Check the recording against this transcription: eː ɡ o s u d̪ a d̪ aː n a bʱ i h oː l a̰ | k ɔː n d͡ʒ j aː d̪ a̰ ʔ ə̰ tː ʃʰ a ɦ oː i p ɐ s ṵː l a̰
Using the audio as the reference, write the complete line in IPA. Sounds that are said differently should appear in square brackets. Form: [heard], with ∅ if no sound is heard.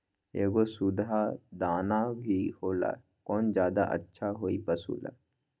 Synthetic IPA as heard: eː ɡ o s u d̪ a d̪ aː n a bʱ i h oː l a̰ | k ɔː n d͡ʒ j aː d̪ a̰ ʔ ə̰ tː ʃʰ a ɦ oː i p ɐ s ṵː l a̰